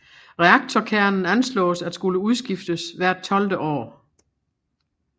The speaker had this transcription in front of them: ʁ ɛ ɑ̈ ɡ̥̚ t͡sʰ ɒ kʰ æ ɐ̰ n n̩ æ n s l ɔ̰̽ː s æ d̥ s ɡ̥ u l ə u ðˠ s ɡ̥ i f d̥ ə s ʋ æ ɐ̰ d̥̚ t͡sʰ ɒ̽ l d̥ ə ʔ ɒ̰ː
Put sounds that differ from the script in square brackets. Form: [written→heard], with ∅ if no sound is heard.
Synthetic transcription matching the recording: ʁ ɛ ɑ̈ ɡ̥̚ t͡sʰ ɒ kʰ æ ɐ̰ n n̩ æ n s l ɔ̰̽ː s æ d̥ s ɡ̥ u l ə u ðˠ s ɡ̥ i f d̥ ə s ʋ æ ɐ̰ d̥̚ t͡sʰ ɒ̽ l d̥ ə ʔ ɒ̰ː